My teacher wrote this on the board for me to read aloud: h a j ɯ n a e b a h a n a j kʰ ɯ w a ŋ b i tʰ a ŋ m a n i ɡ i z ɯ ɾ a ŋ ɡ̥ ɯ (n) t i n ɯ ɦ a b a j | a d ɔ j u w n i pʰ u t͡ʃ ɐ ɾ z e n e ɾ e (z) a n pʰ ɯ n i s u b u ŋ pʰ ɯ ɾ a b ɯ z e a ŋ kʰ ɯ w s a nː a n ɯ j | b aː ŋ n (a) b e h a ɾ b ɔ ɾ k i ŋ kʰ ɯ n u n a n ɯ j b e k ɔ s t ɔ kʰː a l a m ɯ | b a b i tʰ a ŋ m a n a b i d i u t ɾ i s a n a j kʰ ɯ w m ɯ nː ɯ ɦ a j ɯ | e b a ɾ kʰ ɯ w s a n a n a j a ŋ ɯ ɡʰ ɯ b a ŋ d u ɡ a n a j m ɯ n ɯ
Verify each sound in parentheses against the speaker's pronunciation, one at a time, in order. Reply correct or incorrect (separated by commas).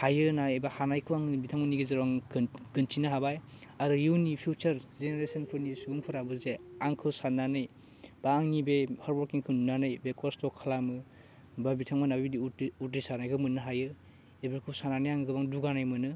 correct, incorrect, incorrect